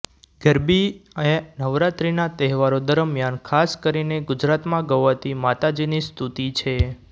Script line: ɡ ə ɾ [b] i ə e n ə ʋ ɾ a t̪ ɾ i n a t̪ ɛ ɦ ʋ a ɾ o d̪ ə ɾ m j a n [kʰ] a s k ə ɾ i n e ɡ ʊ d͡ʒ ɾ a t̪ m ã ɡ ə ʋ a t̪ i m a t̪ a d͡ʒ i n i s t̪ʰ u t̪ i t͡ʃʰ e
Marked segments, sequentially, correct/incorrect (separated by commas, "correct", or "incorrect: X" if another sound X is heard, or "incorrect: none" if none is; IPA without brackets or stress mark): correct, correct